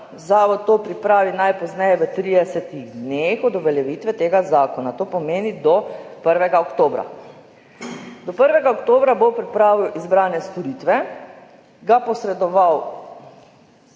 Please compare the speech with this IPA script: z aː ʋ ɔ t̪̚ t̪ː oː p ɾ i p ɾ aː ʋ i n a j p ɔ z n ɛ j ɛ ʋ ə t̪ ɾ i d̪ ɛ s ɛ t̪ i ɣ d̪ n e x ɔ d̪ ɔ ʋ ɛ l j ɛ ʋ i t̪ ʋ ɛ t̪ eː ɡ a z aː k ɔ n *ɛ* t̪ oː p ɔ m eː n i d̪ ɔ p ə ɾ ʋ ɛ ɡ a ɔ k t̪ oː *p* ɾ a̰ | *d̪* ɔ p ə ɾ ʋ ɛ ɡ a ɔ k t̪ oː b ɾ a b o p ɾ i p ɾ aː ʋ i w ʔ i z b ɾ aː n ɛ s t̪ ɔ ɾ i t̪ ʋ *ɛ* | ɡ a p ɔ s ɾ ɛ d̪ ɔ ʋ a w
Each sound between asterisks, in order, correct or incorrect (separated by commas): incorrect, incorrect, correct, correct